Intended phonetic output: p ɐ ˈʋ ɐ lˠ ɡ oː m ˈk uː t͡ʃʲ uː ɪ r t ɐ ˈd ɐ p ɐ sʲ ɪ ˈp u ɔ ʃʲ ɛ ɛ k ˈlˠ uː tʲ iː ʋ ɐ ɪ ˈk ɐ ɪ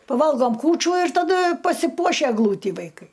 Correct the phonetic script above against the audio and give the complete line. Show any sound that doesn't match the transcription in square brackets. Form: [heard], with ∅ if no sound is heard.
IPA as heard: p ɐ ˈʋ ɐ lˠ ɡ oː m ˈk uː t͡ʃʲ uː ɪ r t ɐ ˈd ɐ p ɐ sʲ ɪ ˈp u ɔ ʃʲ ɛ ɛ [ɡ] ˈlˠ uː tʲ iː ʋ ɐ ɪ ˈk ɐ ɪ

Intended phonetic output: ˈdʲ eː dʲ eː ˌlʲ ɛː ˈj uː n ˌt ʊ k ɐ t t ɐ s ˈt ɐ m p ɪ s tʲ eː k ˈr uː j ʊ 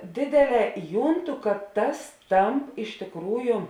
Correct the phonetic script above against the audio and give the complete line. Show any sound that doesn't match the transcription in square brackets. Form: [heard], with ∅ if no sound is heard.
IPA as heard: ˈdʲ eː dʲ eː ˌlʲ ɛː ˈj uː n ˌt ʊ k ɐ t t ɐ s ˈt ɐ m p ɪ [ʃ] tʲ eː k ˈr uː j ʊ

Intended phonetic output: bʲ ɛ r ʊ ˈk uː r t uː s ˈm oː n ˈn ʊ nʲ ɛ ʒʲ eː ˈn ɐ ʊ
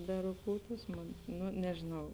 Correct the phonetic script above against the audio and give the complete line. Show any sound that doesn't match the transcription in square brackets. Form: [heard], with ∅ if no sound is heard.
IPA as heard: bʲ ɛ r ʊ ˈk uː [∅] t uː s ˈm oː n ˈn ʊ nʲ ɛ ʒʲ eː ˈn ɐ ʊ

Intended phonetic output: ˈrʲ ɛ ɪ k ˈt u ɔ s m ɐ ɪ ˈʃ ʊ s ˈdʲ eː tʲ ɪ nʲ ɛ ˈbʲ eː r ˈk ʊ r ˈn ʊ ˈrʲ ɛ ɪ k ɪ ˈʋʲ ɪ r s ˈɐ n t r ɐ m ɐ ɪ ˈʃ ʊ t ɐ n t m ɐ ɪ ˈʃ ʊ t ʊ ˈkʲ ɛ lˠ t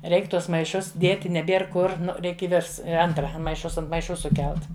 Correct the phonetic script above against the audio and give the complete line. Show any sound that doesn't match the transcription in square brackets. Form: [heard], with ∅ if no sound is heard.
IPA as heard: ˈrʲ ɛ ɪ k ˈt u ɔ s m ɐ ɪ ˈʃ ʊ s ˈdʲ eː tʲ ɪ nʲ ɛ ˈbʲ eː r ˈk ʊ r ˈn ʊ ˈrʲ ɛ ɪ k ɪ ˈʋʲ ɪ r s ˈɐ n t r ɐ m ɐ ɪ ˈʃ ʊ [s] ɐ n t m ɐ ɪ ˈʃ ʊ [s] ʊ ˈkʲ ɛ lˠ t

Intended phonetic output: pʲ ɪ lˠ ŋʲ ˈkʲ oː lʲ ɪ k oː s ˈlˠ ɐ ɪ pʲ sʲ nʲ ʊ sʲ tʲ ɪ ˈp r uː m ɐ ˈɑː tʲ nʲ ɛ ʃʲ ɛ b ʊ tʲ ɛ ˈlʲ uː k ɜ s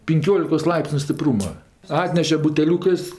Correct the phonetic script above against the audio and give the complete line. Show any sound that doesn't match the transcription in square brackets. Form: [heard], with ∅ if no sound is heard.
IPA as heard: pʲ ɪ [∅] ŋʲ ˈkʲ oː lʲ ɪ k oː s ˈlˠ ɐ ɪ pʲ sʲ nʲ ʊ sʲ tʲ ɪ ˈp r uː m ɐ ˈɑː tʲ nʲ ɛ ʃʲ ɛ b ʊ tʲ ɛ ˈlʲ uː k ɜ s

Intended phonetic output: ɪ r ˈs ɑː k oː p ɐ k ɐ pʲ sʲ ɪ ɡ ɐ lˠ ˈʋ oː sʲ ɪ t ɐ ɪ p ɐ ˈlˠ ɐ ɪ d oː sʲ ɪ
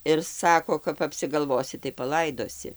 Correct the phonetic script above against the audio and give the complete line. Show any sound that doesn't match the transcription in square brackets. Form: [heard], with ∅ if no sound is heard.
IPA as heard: ɪ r ˈs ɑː k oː [k] ɐ [p] ɐ pʲ sʲ ɪ ɡ ɐ lˠ ˈʋ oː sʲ ɪ t ɐ ɪ p ɐ ˈlˠ ɐ ɪ d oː sʲ ɪ

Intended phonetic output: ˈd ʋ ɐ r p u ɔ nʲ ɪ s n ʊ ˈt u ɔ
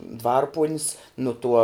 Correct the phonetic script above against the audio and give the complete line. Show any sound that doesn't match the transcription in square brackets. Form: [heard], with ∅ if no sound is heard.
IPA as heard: ˈd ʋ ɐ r p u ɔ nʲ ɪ s n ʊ ˈt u ɔ

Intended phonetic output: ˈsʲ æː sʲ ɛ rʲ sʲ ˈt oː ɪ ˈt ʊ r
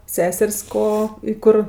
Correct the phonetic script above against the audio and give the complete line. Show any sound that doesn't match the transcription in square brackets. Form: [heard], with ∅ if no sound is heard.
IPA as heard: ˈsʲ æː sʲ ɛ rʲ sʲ [ˈk] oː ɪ [ˈk] ʊ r

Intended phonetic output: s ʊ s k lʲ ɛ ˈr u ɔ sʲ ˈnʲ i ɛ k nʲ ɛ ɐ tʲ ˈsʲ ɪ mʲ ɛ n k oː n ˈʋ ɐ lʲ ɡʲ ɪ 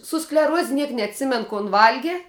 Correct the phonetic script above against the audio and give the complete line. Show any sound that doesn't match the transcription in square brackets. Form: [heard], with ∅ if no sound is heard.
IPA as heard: s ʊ s k lʲ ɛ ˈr u ɔ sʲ ˈnʲ i ɛ k nʲ ɛ ɐ tʲ ˈsʲ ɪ mʲ ɛ n k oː n ˈʋ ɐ lʲ ɡʲ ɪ

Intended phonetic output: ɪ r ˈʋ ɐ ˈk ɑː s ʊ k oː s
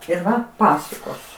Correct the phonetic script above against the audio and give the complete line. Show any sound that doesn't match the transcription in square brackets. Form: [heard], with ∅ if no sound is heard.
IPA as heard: ɪ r ˈʋ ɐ [ˈp] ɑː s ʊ k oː s

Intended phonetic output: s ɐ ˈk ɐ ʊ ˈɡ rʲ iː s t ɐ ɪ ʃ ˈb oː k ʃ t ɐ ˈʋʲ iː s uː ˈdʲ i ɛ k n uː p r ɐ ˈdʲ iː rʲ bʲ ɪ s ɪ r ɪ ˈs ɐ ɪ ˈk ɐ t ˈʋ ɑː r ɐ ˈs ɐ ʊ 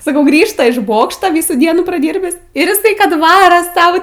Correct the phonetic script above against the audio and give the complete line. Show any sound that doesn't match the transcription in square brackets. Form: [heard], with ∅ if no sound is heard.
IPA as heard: s ɐ ˈk ɐ ʊ ˈɡ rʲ iː [ʃ] t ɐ ɪ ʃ ˈb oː k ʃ t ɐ ˈʋʲ iː s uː ˈdʲ i ɛ [∅] n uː p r ɐ ˈdʲ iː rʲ bʲ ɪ s ɪ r ɪ ˈs ɐ ɪ ˈk ɐ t ˈʋ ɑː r ɐ ˈs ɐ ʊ

